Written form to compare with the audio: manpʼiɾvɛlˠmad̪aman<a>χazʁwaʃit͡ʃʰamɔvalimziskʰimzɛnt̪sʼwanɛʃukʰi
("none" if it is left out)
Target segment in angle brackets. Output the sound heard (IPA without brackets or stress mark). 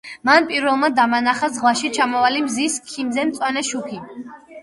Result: a